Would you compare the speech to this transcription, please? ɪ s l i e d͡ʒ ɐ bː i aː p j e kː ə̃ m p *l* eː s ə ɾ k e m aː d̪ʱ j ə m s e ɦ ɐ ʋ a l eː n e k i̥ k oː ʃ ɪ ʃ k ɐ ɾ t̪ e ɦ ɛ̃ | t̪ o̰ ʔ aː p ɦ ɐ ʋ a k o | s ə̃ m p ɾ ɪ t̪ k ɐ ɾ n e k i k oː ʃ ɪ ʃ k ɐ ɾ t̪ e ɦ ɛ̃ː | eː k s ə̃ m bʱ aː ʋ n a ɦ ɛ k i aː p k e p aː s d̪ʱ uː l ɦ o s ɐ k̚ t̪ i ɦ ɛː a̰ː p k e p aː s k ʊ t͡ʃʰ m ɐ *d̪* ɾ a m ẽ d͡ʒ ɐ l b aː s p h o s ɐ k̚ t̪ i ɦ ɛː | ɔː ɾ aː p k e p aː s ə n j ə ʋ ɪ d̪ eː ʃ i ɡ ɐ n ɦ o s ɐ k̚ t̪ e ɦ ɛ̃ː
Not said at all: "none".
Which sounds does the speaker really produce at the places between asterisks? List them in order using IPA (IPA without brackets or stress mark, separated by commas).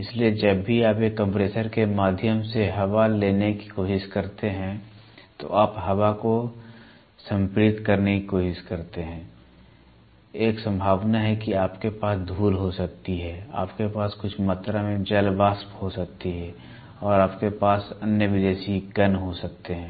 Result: ɾ, t̪